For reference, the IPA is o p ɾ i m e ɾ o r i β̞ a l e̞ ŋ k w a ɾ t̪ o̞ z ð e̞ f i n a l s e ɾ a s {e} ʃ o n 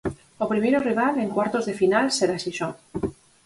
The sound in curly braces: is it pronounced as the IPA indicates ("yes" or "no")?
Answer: no